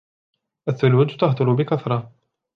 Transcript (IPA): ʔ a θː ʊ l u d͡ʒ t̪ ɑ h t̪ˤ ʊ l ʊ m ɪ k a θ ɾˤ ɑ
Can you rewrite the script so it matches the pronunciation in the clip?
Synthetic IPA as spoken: ʔ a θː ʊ l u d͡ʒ t̪ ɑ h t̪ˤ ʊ l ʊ b ɪ k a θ ɾˤ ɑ